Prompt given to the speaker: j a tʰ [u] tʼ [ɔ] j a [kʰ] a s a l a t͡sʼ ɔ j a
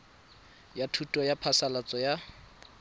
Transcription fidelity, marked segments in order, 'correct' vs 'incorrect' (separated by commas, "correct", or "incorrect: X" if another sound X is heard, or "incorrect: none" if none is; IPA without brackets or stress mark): correct, correct, incorrect: pʰ